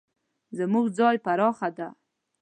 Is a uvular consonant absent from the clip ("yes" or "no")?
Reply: yes